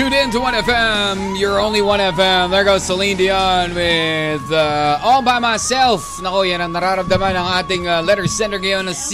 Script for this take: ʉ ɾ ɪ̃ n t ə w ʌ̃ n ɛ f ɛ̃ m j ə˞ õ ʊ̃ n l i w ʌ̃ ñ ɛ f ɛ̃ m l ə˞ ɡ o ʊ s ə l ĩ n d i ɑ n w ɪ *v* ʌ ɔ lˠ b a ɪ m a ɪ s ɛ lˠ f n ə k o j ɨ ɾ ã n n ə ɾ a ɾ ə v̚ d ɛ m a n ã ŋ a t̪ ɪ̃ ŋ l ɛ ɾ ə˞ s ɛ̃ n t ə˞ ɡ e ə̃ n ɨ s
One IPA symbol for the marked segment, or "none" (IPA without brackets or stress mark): ð